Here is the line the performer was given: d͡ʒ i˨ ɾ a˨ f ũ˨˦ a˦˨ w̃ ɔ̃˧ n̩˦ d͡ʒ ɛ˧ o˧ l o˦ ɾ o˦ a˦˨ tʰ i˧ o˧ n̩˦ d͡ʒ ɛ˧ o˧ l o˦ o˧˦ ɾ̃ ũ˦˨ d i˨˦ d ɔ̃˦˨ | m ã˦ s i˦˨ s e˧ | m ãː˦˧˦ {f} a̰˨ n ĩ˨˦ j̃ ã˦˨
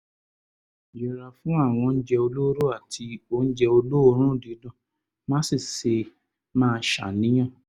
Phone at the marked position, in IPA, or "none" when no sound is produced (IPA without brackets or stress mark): ʃ